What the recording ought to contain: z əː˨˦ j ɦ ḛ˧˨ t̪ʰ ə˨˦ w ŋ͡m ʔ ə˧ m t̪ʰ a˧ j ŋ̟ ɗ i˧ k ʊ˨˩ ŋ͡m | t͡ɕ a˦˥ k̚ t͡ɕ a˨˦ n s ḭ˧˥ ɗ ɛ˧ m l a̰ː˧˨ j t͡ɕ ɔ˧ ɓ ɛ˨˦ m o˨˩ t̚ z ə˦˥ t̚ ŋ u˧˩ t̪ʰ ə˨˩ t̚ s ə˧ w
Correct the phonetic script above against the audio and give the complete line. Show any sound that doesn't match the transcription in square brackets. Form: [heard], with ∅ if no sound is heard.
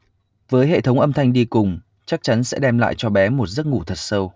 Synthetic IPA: [v] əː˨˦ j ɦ ḛ˧˨ t̪ʰ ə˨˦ w ŋ͡m ʔ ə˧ m t̪ʰ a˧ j ŋ̟ ɗ i˧ k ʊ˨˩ ŋ͡m | t͡ɕ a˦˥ k̚ t͡ɕ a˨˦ n s [ɛ̰˧˥] ɗ ɛ˧ m l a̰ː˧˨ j t͡ɕ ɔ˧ ɓ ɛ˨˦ m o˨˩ t̚ z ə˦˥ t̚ ŋ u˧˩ t̪ʰ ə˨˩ t̚ s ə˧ w

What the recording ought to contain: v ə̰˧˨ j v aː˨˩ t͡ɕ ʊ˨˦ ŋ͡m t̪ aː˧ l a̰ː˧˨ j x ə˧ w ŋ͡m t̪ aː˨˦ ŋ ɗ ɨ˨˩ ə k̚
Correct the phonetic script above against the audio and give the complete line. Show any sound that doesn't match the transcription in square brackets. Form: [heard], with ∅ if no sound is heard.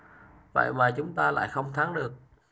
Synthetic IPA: v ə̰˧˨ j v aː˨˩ t͡ɕ ʊ˨˦ ŋ͡m t̪ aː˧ l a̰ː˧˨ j x ə˧ w ŋ͡m [t̪ʰ] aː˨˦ ŋ ɗ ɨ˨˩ ə k̚

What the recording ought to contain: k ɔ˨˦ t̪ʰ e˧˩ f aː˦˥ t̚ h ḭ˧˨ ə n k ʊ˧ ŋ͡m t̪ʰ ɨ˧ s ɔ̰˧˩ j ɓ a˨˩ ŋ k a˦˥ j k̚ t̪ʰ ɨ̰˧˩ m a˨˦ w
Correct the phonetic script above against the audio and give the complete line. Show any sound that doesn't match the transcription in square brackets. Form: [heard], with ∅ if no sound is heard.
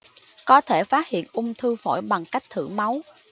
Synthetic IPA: k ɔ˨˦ t̪ʰ e˧˩ f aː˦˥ t̚ h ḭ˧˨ ə n [ʔ] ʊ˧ ŋ͡m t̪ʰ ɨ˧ [f] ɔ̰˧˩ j ɓ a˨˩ ŋ k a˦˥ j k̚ t̪ʰ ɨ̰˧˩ m a˨˦ w

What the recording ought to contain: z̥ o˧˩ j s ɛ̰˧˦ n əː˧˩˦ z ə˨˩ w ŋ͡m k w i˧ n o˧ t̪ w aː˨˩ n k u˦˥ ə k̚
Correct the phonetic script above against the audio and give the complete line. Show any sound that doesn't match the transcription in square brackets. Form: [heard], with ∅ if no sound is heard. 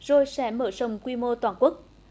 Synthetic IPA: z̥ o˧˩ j s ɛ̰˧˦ [m] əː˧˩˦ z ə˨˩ w ŋ͡m k w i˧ [m] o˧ t̪ w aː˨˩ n k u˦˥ ə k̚

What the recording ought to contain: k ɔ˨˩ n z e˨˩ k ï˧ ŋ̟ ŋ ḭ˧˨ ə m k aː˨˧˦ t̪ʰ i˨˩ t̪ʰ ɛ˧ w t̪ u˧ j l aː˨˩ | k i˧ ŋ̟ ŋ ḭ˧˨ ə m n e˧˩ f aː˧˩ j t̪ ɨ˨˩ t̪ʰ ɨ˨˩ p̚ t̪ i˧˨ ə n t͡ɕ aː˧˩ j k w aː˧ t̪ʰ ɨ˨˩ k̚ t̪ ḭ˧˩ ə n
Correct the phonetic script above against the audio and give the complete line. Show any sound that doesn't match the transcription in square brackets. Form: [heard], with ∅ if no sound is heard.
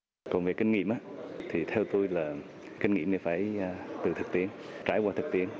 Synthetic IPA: k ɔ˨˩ n [v] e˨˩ k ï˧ ŋ̟ ŋ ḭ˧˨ ə m [ʔ] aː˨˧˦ t̪ʰ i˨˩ t̪ʰ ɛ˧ w t̪ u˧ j l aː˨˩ | k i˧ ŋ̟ ŋ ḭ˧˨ ə m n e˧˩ f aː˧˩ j t̪ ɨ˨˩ t̪ʰ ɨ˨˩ [k̚] t̪ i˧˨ ə n t͡ɕ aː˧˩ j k w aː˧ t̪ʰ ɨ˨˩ k̚ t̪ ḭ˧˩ ə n

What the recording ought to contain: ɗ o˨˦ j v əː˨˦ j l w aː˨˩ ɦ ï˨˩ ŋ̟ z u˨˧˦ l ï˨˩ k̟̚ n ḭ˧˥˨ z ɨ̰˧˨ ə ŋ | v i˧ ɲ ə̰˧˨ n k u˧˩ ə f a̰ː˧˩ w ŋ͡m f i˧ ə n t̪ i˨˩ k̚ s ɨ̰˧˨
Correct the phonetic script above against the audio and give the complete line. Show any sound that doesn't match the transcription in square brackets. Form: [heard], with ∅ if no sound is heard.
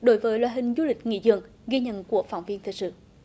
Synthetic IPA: ɗ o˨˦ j v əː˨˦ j l w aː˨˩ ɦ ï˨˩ ŋ̟ z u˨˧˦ l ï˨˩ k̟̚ [ŋ] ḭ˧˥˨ z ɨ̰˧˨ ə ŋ | [ɣ] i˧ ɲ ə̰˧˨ n k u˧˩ ə f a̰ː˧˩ w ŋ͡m [v] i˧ ə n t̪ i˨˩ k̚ s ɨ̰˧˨

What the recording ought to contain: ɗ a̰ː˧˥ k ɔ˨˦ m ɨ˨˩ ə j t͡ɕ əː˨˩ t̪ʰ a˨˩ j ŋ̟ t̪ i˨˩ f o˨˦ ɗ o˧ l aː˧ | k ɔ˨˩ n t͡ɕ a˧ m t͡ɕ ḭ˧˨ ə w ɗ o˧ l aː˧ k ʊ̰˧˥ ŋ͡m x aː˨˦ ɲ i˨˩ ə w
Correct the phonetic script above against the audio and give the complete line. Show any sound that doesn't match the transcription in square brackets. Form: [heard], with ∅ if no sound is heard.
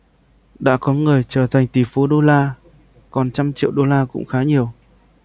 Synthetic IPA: ɗ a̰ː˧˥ k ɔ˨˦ [ŋ] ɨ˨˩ ə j t͡ɕ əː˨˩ t̪ʰ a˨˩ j ŋ̟ t̪ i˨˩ f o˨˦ ɗ o˧ l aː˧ | k ɔ˨˩ n t͡ɕ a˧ m t͡ɕ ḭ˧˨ ə w ɗ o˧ l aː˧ k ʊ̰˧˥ ŋ͡m x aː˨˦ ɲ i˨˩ ə w

